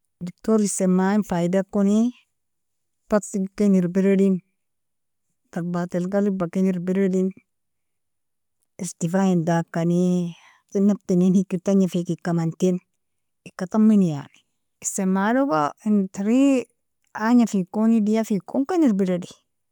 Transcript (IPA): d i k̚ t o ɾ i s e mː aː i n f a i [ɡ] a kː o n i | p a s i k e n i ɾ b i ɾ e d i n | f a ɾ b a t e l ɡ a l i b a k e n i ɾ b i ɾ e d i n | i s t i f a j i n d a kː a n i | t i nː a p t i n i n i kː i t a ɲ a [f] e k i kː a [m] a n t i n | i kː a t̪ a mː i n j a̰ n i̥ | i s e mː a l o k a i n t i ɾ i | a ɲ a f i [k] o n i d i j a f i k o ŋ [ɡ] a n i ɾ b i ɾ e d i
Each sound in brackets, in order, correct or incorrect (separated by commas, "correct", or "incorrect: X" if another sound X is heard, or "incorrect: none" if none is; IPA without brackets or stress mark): incorrect: d, correct, correct, correct, incorrect: k